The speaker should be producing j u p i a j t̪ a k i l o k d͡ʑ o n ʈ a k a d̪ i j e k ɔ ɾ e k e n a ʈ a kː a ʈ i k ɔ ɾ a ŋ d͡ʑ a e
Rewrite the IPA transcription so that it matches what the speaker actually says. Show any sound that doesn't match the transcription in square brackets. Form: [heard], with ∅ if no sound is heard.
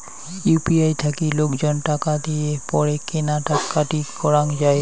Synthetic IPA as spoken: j u p i a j [t̪ʰ] a k i l o k d͡ʑ o n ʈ a k a d̪ i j e [p] ɔ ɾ e k e n a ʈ a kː a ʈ i k ɔ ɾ a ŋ d͡ʑ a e